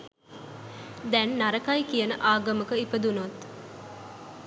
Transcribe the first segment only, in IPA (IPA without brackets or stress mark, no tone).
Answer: d̪